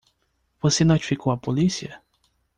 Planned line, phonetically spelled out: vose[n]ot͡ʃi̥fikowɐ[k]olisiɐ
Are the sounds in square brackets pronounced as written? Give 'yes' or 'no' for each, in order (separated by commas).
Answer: yes, no